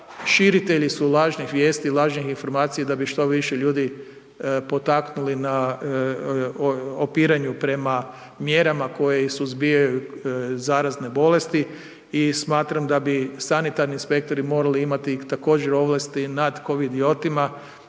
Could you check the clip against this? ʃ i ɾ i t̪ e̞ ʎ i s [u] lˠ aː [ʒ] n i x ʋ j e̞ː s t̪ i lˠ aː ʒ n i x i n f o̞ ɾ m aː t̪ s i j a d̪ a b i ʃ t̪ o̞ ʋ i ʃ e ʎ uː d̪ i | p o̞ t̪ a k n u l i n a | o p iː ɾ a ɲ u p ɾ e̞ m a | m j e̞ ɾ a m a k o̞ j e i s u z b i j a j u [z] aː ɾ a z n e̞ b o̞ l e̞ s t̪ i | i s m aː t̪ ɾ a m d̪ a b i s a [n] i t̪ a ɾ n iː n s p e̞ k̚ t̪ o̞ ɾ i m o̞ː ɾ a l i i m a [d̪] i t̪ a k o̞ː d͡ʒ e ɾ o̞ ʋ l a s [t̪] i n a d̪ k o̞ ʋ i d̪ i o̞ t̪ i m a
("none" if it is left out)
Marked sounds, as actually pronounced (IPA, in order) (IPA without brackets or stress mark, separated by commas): u, ʒ, z, n, t̪, t̪